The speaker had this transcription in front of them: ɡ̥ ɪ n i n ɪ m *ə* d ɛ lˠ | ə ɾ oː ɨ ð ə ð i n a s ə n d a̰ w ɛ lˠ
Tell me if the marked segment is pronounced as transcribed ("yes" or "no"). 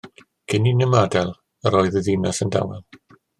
no